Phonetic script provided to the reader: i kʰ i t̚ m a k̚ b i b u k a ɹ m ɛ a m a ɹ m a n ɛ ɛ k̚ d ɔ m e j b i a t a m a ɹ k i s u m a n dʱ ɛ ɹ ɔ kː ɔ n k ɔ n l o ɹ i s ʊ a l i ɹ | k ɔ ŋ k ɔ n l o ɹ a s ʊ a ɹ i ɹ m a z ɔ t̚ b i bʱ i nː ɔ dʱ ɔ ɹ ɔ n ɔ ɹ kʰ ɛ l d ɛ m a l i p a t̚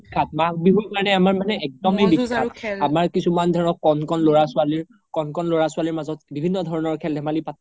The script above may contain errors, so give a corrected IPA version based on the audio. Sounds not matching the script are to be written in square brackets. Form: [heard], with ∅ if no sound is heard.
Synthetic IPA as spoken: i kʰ [a] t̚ m a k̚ b i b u k a ɹ [n] ɛ a m a ɹ m a n ɛ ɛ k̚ d ɔ m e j b i a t a m a ɹ k i s u m a n dʱ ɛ ɹ ɔ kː ɔ n k ɔ n l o ɹ [a] s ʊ a l i ɹ | k ɔ [n] k ɔ n l o ɹ a s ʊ a [l] i ɹ m a z ɔ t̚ b i bʱ i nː ɔ dʱ ɔ ɹ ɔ n ɔ ɹ kʰ ɛ l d ɛ m a l i p a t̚